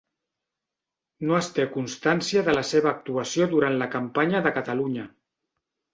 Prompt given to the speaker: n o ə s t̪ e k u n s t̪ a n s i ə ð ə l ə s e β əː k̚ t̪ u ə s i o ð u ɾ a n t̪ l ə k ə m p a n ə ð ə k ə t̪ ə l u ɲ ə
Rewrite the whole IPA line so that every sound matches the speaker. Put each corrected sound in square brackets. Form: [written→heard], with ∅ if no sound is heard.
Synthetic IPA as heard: n o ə s t̪ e k u n s t̪ a n s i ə ð ə l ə s e β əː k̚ t̪ u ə s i o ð u ɾ a n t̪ l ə k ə m p a [n→ɲ] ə ð ə k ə t̪ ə l u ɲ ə